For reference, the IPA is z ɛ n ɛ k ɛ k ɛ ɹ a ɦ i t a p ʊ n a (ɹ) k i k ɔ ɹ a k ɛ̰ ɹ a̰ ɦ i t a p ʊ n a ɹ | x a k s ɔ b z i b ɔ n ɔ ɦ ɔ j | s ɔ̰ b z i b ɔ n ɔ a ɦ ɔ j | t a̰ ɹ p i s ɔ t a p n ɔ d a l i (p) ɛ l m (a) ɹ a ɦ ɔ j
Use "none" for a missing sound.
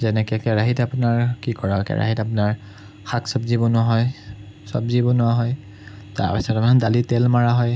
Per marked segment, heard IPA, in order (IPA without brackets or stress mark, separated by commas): ɹ, t, a